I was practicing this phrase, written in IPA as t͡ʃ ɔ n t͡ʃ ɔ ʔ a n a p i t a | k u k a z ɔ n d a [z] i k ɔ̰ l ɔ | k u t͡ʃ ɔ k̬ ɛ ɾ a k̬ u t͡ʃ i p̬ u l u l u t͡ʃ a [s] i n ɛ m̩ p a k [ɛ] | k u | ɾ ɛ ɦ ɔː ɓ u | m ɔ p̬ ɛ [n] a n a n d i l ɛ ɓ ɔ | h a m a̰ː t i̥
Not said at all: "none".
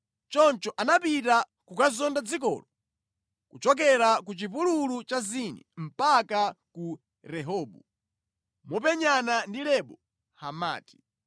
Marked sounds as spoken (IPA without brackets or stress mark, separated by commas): d͡z, z, a, ɲ